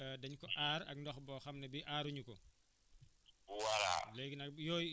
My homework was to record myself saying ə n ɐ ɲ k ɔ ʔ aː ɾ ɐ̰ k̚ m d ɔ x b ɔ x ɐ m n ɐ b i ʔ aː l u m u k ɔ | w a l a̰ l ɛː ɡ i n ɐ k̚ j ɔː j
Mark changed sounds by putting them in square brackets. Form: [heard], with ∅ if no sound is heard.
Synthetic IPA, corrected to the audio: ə [d] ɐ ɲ k ɔ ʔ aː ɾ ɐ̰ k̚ [n] d ɔ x b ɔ x ɐ m n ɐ b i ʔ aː [ɾ] u [ɲ] u k ɔ | w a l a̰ l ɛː ɡ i n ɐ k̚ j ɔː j